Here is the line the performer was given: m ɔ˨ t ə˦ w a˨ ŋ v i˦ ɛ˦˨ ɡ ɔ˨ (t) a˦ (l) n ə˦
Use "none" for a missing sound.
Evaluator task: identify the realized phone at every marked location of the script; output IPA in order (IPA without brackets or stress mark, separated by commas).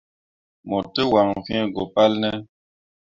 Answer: p, l